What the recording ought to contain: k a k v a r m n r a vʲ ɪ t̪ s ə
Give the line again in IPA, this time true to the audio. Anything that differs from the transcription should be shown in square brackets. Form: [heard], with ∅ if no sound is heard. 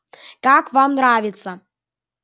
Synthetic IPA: k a k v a [∅] m n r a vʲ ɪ t̪ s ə